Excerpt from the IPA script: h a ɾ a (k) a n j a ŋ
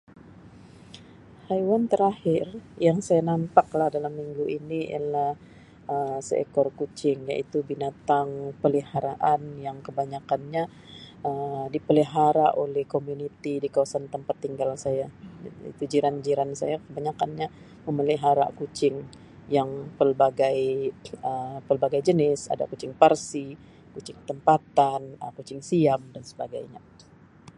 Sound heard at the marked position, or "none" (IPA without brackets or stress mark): ʔ